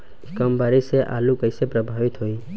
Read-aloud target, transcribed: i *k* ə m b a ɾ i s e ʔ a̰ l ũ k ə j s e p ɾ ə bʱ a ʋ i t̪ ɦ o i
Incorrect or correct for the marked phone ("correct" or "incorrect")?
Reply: correct